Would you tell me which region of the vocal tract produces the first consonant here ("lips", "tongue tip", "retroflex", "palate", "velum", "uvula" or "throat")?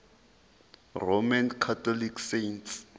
tongue tip